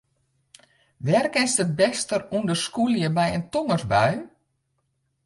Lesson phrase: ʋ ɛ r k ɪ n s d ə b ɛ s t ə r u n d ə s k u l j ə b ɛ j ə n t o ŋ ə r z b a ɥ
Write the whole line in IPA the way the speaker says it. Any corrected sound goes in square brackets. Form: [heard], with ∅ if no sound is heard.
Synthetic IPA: ʋ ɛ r k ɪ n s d ə b ɛ s t ə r u n d ə s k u l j ə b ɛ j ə n t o ŋ ə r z b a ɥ